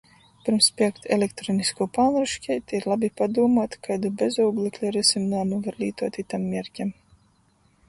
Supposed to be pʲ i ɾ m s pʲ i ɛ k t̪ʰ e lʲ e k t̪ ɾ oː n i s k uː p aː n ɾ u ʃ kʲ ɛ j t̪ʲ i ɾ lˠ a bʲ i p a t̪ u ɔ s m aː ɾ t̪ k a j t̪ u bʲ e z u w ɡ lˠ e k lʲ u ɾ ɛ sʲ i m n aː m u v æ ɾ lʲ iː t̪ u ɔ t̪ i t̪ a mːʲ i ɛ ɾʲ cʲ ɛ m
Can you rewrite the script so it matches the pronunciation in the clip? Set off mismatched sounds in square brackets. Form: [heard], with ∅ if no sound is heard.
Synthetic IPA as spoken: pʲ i ɾ m s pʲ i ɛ k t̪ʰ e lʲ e k t̪ ɾ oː n i s k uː p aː n ɾ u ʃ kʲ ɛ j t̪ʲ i ɾ lˠ a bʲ i p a [d̪] u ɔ [∅] m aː [∅] t̪ k a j [d̪] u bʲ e z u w ɡ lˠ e k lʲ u ɾ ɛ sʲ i m n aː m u v [a] ɾ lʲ iː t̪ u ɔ t̪ i t̪ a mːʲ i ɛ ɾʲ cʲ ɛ m